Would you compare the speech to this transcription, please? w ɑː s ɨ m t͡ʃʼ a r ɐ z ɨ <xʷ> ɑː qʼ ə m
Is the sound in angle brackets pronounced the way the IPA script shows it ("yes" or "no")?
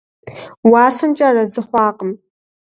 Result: no